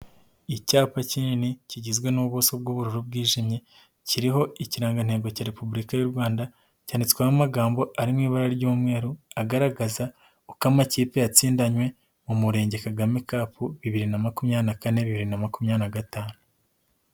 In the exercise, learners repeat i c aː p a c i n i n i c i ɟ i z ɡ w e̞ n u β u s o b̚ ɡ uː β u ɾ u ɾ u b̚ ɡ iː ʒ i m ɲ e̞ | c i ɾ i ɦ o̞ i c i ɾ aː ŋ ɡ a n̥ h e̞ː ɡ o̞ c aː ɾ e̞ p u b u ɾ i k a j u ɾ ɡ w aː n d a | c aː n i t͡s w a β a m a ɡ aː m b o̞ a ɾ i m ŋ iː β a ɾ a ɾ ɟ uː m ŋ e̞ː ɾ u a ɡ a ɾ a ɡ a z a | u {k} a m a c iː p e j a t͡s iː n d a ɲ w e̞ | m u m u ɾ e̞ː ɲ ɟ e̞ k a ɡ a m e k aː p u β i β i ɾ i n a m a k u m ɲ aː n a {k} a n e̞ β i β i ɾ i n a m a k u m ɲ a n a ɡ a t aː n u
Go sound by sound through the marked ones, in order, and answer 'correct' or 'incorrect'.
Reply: correct, correct

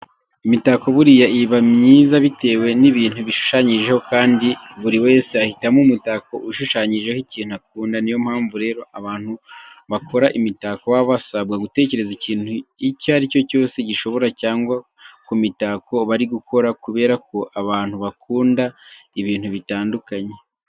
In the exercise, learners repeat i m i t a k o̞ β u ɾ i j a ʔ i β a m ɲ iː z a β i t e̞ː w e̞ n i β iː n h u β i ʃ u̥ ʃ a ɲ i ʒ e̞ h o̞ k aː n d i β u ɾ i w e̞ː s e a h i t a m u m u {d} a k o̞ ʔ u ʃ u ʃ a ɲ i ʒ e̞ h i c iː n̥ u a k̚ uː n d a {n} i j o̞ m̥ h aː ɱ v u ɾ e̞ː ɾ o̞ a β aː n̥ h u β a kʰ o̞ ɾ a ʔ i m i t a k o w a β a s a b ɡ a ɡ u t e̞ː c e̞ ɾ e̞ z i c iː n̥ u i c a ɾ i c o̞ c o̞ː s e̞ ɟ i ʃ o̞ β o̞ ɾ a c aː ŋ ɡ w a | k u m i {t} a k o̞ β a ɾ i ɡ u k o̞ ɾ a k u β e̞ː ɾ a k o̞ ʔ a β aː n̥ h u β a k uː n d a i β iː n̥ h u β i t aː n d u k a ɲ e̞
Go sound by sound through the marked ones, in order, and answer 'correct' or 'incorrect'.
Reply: incorrect: t, correct, correct

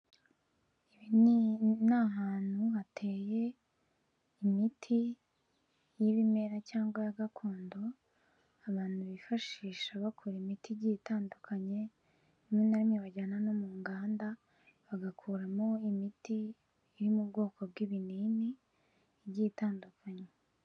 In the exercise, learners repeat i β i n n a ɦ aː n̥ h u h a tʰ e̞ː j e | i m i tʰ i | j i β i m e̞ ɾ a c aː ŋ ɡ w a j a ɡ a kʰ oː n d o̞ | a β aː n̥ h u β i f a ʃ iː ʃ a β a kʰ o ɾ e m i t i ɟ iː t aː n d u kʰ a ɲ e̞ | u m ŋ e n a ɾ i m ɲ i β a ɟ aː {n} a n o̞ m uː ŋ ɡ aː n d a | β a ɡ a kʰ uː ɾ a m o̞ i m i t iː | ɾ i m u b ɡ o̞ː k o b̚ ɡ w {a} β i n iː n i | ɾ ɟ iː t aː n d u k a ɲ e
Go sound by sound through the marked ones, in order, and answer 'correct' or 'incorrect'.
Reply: correct, incorrect: i

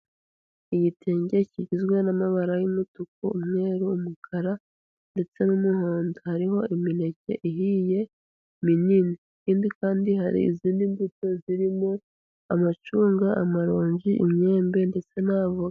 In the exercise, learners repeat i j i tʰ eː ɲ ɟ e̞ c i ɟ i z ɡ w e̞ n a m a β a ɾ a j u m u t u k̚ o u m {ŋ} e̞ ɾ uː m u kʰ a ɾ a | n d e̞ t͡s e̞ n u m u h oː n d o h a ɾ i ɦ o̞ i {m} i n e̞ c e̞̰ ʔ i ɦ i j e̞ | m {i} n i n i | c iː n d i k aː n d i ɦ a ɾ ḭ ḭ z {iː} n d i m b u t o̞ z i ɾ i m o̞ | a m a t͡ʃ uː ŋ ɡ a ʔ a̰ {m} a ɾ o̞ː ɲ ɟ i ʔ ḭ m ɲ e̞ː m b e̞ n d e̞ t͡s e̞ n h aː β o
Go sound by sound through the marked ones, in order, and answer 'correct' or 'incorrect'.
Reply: correct, correct, correct, correct, correct

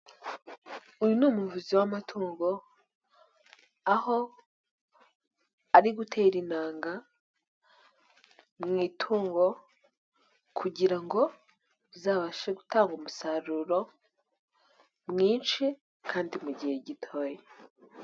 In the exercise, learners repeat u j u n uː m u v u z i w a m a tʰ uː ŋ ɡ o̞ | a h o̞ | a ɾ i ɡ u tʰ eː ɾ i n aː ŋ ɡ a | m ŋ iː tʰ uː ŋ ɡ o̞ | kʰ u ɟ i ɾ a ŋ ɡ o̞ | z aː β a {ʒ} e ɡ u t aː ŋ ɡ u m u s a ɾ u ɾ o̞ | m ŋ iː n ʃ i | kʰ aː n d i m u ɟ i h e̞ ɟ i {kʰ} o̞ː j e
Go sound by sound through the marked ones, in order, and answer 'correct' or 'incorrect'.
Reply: incorrect: ʃ, incorrect: tʰ

